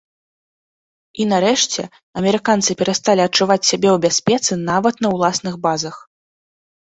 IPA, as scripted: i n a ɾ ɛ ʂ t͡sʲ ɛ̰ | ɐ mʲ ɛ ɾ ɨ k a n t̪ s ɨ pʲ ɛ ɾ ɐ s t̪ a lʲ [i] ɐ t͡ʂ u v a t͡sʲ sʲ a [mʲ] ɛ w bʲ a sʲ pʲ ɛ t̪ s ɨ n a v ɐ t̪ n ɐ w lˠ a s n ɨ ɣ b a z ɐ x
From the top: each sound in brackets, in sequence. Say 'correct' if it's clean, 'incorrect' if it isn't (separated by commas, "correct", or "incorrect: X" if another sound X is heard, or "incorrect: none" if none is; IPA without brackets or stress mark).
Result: correct, incorrect: bʲ